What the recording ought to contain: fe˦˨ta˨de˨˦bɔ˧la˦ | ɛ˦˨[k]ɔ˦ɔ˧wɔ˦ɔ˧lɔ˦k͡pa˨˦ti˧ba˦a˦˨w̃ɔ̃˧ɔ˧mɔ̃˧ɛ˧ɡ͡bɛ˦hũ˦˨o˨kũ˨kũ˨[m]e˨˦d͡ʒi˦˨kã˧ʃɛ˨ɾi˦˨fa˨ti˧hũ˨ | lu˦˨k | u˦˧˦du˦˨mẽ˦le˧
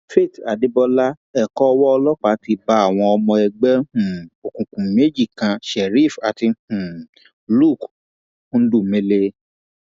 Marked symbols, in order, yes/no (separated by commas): yes, yes